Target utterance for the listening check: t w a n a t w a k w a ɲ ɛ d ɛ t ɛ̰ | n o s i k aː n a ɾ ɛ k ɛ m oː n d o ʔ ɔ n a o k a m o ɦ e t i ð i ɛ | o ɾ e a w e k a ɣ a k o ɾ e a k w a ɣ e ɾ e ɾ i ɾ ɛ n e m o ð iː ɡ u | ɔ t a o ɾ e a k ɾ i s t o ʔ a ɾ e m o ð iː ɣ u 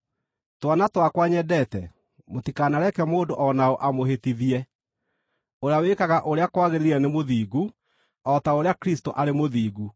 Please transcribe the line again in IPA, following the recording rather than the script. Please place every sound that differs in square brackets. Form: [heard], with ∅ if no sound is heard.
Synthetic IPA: t w a n a t w a k w a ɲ ɛ d ɛ t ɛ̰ | [m] o [t] i k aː n a ɾ ɛ k ɛ m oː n d o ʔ ɔ n a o [ʔ] a m o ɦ e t i ð i ɛ | o ɾ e a w e k a ɣ a [ʔ] o ɾ e a k w a ɣ e ɾ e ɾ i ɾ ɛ n e m o ð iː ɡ u | ɔ t a o ɾ e a k ɾ i s t o ʔ a ɾ e m o ð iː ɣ u

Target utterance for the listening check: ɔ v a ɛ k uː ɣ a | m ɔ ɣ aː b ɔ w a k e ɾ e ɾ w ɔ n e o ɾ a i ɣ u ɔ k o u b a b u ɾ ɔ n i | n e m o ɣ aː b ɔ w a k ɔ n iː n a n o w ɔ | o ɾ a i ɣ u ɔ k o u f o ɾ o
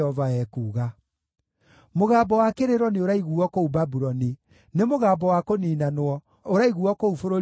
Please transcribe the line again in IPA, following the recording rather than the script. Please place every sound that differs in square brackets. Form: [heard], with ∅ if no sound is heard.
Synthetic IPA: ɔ v a ɛ k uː ɣ a | m [o] ɣ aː b ɔ w a k e ɾ e ɾ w ɔ n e o ɾ a i ɣ u ɔ k o u b a b u ɾ ɔ n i | n e m o ɣ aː b ɔ w a k [o] n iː n a n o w ɔ | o ɾ a i ɣ u ɔ k o u f o ɾ o

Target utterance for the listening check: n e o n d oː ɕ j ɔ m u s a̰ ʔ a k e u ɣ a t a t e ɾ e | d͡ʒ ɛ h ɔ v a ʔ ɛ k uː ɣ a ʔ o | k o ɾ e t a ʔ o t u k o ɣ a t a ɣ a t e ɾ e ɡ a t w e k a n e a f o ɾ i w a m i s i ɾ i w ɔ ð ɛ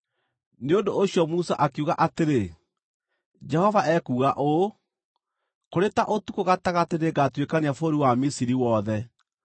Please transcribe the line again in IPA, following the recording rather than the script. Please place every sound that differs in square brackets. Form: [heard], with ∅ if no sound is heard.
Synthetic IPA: n e o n d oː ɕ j ɔ m u s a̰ ʔ a k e u ɣ a [ʔ] a t e ɾ e | d͡ʒ ɛ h ɔ v a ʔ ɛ k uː ɣ a ʔ o | k o ɾ e t a ʔ o t u k o ɣ a t a ɣ a t e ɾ e ɡ a t w e k a n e a f o ɾ i w a m i s i ɾ i w ɔ ð ɛ

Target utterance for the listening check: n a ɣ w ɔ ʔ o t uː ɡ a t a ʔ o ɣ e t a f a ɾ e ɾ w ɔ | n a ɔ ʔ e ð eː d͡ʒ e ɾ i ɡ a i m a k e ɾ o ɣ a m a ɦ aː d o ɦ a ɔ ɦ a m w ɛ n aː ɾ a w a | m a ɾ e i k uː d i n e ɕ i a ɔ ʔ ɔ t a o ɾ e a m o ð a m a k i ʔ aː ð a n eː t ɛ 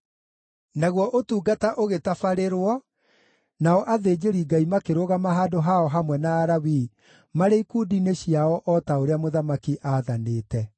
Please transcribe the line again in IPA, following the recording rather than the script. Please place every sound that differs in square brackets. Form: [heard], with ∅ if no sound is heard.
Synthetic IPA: n a ɣ w ɔ ʔ o t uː ɡ a t a ʔ o ɣ e t a f a ɾ e ɾ w ɔ | n a ɔ ʔ [a] ð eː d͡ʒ e ɾ i ɡ a i m a k e ɾ o ɣ a m a ɦ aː d o ɦ a ɔ ɦ a m w ɛ n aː ɾ a w [i] | m a ɾ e i k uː d i n e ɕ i a ɔ ʔ ɔ t a o ɾ e a m o ð a m a k i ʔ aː ð a n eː t ɛ

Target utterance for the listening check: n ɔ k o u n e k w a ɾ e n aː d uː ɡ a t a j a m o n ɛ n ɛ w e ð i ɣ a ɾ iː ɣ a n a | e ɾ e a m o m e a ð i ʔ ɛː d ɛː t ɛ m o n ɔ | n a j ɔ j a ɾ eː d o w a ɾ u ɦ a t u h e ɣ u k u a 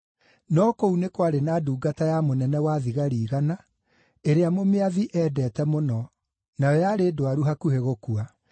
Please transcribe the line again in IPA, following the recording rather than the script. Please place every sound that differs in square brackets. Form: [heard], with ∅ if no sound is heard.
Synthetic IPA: n ɔ k o u n e k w a ɾ e n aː d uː ɡ a t a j a m o n ɛ n ɛ w [a] ð i ɣ a ɾ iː ɣ a n a | e ɾ e a m o m e a ð i ʔ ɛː d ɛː t ɛ m o n ɔ | n a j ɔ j a ɾ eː d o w a ɾ u ɦ a [k] u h e ɣ [o] k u a

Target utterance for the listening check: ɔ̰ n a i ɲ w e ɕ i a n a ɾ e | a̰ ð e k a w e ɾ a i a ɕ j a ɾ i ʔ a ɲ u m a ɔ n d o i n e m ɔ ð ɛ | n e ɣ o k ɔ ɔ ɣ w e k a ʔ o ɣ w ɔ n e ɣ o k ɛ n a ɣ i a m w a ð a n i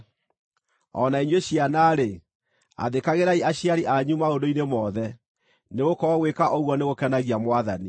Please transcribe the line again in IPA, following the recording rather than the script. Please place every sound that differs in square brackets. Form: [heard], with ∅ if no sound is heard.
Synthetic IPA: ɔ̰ n a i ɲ w e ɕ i a n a ɾ e | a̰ ð e k a [ɣ] e ɾ a i a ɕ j a ɾ i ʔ a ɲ u m a [o] n d o i n e m ɔ ð ɛ | n e ɣ o k ɔ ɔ ɣ w e k a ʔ o ɣ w ɔ n e ɣ o k ɛ n a ɣ i a m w a ð a n i

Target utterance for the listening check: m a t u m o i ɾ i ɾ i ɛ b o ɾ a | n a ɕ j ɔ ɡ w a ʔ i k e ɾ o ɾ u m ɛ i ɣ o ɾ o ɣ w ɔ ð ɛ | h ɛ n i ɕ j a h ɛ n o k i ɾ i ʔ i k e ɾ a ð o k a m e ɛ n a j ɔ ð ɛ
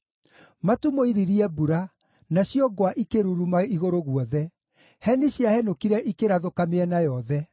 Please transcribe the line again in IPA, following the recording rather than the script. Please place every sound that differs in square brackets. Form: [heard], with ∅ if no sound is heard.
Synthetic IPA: m a t u m o i ɾ i ɾ i ɛ b [u] ɾ a | n a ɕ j ɔ ɡ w a ʔ i k e ɾ [u] ɾ u m [a] i ɣ o ɾ o ɣ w ɔ ð ɛ | h ɛ n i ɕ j a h ɛ n o k i ɾ [ɛ] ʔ i k e ɾ a ð o k a m e ɛ n a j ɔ ð ɛ

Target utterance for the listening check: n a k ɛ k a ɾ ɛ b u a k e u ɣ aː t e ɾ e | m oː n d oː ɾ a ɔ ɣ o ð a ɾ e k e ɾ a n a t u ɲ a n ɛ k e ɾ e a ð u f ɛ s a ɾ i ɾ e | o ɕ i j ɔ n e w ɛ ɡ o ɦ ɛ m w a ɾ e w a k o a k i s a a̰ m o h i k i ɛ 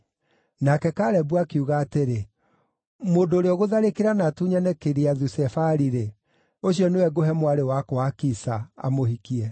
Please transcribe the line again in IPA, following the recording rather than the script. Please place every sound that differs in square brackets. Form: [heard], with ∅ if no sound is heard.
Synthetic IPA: n a k ɛ k a ɾ ɛ b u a k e u ɣ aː t e ɾ e | m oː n d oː ɾ [e] ɔ ɣ o ð a ɾ e k e ɾ a n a t u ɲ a n ɛ k e ɾ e a ð u [s] ɛ [f] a ɾ i ɾ e | o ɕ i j ɔ n e w ɛ ɡ o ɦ ɛ m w a ɾ e w a k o a k i s a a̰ m o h i k i ɛ

